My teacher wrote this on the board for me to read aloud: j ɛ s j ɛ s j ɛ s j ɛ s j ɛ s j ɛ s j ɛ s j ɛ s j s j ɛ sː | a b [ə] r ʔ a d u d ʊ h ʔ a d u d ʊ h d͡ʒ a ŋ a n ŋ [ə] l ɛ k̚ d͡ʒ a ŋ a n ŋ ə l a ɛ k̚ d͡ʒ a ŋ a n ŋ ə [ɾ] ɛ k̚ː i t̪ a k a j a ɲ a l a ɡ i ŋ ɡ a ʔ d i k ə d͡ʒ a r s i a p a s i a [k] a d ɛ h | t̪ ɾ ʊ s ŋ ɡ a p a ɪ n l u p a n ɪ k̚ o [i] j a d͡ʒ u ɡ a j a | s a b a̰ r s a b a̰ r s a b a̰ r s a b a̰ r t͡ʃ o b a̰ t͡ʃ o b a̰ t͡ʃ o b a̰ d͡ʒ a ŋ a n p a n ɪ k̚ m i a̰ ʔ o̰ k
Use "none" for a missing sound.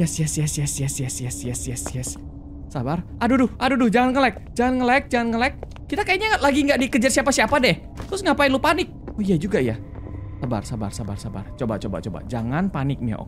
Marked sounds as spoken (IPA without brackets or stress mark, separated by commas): a, ə, l, p, i